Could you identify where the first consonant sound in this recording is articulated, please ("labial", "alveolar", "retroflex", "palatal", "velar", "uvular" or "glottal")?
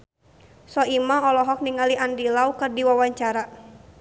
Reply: alveolar